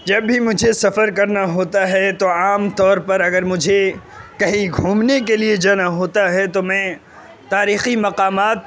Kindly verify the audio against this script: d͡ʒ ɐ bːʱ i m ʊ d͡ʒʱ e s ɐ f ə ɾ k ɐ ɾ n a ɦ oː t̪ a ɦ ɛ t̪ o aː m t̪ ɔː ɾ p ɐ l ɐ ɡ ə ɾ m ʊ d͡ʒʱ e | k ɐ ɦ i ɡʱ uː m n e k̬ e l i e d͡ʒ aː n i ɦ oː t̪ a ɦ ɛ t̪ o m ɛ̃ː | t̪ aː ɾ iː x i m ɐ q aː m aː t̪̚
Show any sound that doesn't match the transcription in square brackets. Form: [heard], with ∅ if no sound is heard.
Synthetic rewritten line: d͡ʒ ɐ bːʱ i m ʊ d͡ʒʱ e s ɐ f ə ɾ k ɐ ɾ n a ɦ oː t̪ a ɦ ɛ t̪ o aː m t̪ ɔː ɾ p ɐ [ɾ] ɐ ɡ ə ɾ m ʊ d͡ʒʱ e | k ɐ ɦ i ɡʱ uː m n e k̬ e l i e d͡ʒ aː n [a] ɦ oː t̪ a ɦ ɛ t̪ o m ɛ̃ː | t̪ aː ɾ iː x i m ɐ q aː m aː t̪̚